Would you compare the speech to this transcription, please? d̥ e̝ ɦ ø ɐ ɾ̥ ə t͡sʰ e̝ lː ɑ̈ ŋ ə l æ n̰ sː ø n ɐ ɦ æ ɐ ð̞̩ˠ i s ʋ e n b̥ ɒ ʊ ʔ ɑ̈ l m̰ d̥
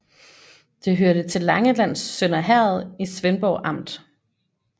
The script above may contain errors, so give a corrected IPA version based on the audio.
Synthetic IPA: d̥ e̝ ɦ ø ɐ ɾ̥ ə t͡sʰ e̝ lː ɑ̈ ŋ ə l æ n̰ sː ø n ɐ ɦ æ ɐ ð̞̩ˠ i s ʋ e n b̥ ɒ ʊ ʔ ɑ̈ m̰ d̥

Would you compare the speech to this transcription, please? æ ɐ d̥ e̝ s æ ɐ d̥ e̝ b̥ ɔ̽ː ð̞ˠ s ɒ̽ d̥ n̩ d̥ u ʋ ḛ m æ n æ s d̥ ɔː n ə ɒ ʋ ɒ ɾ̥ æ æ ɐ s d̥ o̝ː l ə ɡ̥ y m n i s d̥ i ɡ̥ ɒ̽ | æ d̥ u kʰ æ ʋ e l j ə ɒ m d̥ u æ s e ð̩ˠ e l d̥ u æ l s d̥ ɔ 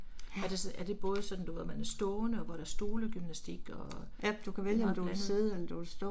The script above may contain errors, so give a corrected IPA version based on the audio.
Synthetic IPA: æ ɐ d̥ e̝ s æ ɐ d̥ e̝ b̥ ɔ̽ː ð̞ˠ s ɒ̽ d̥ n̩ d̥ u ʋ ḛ m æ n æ s d̥ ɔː n ə ɒ ʋ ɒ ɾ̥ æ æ ɐ s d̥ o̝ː l ə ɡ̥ y m n æ s d̥ i ɡ̥ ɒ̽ | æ d̥ u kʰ æ ʋ e l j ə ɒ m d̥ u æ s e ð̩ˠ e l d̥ u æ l s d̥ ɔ

